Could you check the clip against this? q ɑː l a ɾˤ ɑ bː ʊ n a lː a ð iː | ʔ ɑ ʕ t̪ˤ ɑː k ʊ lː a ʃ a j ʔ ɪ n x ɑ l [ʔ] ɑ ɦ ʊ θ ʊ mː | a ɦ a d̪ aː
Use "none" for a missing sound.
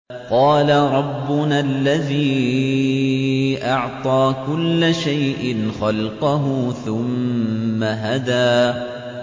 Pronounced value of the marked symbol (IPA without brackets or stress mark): q